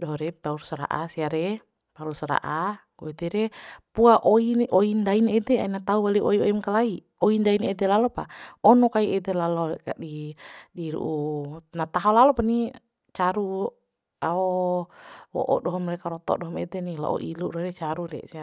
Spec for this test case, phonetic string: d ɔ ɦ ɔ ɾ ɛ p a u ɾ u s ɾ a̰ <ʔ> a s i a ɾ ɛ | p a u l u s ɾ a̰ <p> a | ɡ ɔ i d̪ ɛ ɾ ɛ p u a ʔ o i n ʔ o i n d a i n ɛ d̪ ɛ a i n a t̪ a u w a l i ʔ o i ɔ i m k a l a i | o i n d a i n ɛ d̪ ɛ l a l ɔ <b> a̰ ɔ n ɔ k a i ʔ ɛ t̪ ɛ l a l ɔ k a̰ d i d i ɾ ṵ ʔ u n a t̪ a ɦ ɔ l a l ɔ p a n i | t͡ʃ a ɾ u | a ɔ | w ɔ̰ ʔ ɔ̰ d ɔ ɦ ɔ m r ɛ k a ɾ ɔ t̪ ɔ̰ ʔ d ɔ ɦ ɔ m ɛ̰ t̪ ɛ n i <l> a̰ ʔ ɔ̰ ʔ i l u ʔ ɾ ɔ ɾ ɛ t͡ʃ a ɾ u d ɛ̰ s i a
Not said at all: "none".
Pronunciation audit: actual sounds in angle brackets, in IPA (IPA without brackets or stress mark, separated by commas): ʔ, ʔ, p, l